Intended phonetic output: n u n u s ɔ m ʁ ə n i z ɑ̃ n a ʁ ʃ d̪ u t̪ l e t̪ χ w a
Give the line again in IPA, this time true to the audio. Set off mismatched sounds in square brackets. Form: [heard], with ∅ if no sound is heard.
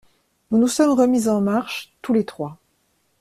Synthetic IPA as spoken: n u n u s ɔ m ʁ ə [m] i z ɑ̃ [m] a ʁ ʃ [t̪] u [∅] l e t̪ χ w a